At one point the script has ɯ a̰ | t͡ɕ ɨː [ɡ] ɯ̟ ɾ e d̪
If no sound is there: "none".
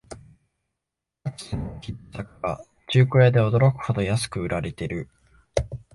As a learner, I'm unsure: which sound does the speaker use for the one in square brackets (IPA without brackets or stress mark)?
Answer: k